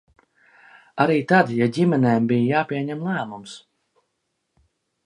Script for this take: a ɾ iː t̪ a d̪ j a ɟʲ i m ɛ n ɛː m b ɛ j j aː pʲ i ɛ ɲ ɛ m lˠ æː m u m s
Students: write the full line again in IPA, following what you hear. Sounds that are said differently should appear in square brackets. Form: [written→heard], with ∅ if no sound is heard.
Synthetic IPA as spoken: a ɾ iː t̪ a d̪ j a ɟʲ i m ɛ n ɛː m b [ɛ→i] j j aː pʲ i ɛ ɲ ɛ m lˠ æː m u m s